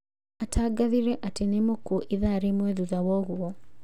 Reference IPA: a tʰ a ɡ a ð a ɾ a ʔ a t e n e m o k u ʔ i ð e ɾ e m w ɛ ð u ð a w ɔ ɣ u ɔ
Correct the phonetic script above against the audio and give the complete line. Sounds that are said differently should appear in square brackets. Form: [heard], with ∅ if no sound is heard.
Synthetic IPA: a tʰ a ɡ a ð [i] ɾ [ɛ] ʔ a t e n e m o k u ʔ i ð [a] ɾ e m w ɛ ð u ð a w ɔ ɣ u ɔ